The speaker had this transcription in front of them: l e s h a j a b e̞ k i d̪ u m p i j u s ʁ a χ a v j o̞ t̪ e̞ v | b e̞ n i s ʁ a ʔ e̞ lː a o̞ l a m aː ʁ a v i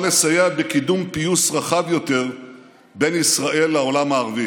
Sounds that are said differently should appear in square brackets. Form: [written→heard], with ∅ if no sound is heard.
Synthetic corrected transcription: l e s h a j a b e̞ k i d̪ u m p i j u s ʁ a χ a v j o̞ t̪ e̞ [v→ʁ] | b e̞ n i s ʁ a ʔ e̞ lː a o̞ l a m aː ʁ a v i